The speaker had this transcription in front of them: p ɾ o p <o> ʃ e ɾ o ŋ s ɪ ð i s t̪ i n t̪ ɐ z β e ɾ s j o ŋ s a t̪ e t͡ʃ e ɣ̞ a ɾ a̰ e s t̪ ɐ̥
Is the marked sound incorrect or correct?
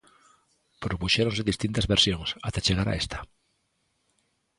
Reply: incorrect: u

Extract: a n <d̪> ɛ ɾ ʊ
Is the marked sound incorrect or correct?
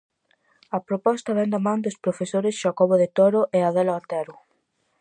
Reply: incorrect: t̪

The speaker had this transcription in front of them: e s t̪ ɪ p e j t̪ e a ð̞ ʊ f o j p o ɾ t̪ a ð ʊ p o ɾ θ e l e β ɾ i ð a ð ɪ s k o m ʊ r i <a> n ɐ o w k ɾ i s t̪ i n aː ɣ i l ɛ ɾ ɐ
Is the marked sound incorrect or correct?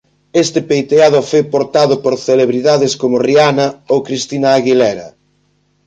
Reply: correct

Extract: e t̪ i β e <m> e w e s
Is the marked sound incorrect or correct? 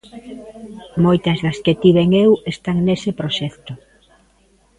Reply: incorrect: ŋ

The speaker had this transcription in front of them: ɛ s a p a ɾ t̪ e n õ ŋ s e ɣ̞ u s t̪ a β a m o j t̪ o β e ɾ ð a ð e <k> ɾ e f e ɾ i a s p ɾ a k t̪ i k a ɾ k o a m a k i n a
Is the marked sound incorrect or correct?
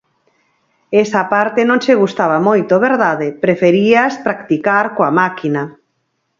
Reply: incorrect: p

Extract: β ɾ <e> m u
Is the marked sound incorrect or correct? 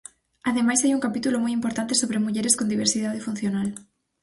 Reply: correct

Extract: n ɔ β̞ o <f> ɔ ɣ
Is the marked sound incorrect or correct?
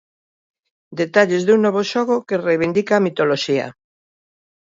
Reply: incorrect: ʃ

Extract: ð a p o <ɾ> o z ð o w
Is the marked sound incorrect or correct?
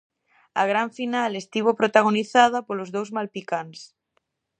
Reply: incorrect: l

